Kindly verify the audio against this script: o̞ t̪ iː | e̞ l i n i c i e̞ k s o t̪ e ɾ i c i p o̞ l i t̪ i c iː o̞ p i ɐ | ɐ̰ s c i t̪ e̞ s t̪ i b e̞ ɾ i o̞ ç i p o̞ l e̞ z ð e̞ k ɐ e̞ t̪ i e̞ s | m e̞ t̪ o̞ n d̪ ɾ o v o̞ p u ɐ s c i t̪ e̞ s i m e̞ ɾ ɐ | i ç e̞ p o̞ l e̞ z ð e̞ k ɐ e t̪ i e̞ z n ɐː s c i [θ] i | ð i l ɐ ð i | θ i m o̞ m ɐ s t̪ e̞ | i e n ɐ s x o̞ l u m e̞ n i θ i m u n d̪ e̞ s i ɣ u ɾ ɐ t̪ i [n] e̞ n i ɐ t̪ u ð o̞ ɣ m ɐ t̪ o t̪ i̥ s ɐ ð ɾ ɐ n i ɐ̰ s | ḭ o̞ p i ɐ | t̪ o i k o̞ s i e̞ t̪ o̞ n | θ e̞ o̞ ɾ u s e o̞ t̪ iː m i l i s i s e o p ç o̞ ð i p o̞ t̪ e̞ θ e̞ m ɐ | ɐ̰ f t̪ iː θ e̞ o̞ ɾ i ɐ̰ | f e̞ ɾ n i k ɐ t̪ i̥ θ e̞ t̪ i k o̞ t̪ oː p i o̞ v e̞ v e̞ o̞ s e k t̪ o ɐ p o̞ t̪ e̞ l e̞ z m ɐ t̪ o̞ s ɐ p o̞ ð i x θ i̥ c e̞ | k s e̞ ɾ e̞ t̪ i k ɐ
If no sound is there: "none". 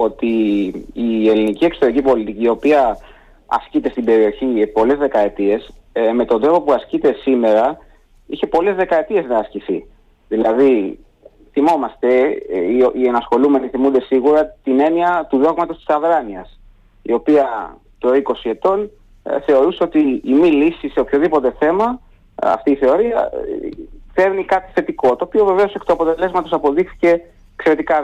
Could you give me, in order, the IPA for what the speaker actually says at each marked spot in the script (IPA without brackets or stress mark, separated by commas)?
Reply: θ, n